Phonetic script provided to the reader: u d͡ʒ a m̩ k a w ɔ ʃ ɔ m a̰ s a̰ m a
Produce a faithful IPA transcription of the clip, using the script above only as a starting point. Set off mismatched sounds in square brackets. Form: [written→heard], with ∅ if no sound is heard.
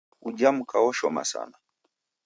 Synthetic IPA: u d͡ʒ a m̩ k a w ɔ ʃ ɔ m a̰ s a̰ [m→n] a